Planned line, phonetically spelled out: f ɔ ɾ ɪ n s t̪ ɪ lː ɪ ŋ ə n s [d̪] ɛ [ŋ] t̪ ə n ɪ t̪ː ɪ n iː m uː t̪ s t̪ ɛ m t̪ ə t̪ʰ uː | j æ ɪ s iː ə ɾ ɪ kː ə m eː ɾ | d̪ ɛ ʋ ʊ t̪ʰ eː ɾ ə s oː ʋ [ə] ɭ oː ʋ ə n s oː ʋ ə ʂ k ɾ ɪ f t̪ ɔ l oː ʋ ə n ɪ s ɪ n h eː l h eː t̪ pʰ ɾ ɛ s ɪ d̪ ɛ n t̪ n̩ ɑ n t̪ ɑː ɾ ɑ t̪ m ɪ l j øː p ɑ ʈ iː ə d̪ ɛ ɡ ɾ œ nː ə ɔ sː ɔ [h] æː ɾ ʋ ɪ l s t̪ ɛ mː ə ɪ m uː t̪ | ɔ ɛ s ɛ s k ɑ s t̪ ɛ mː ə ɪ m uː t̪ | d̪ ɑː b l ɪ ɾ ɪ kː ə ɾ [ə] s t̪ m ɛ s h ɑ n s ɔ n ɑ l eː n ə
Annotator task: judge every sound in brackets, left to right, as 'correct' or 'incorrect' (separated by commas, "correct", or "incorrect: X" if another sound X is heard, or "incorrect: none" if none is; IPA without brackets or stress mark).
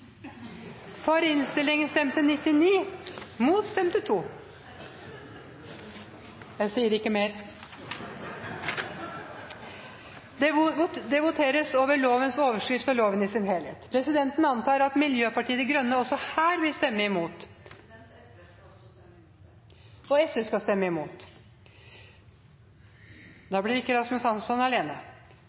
incorrect: t̪, incorrect: m, correct, correct, incorrect: ɑ